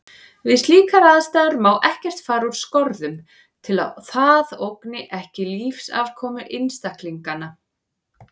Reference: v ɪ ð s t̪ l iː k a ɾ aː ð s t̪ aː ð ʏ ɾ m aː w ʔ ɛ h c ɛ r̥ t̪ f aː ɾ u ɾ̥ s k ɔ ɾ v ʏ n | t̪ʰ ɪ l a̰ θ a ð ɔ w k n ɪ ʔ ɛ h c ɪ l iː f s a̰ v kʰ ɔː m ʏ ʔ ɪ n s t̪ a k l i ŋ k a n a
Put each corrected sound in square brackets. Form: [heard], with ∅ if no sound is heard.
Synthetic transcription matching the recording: v ɪ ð s t̪ l iː k a ɾ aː ð s t̪ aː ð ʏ ɾ m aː w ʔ ɛ h c ɛ r̥ t̪ f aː ɾ u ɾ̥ s k ɔ ɾ [ð] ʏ [m] | t̪ʰ ɪ l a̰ θ a ð [o] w k n ɪ ʔ ɛ h c ɪ l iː f s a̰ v kʰ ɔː m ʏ ʔ ɪ n s t̪ a k l i ŋ k a n a

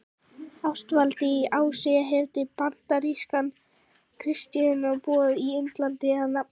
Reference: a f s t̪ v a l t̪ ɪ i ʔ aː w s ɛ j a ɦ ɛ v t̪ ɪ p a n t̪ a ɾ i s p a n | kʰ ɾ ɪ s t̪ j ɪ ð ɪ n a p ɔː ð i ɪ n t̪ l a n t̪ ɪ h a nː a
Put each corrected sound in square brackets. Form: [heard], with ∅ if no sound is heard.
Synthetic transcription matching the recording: a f s t̪ v a l t̪ ɪ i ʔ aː w s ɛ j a ɦ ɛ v t̪ ɪ p a n t̪ a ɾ i s [k] a n | kʰ ɾ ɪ s t̪ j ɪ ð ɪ n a p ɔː ð i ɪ n t̪ l a n t̪ ɪ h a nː a

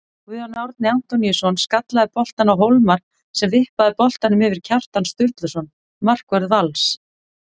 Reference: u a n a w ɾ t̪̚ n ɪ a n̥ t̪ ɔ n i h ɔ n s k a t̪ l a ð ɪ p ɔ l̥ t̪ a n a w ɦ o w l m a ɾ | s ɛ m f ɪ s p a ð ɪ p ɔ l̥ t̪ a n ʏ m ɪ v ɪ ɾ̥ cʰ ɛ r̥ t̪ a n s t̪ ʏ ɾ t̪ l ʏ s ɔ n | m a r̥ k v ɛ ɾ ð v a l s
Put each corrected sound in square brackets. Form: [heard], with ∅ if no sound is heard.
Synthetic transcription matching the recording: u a n a w ɾ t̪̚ n ɪ a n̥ t̪ ɔ n i [s] ɔ n s k a t̪ l a ð ɪ p ɔ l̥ t̪ a n a w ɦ o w l m a ɾ | s ɛ m [v] ɪ [h] p a ð ɪ p ɔ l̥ t̪ a n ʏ m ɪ v ɪ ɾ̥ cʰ [a] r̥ t̪ a n s t̪ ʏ ɾ t̪ l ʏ s ɔ n | m a r̥ k v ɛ ɾ ð v a l s

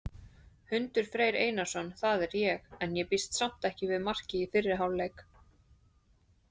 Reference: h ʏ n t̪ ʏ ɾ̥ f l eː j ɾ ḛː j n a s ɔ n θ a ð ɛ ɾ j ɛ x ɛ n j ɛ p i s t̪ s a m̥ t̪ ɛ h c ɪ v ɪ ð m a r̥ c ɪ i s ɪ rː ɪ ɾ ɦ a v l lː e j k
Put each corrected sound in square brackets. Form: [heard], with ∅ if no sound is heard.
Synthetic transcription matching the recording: h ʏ n t̪ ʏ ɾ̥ f [ɾ] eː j ɾ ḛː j n a s ɔ n θ a ð ɛ ɾ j ɛ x ɛ n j ɛ p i s t̪ s a m̥ t̪ ɛ h c ɪ v ɪ ð m a r̥ c ɪ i [f] ɪ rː ɪ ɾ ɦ a [w] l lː e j k

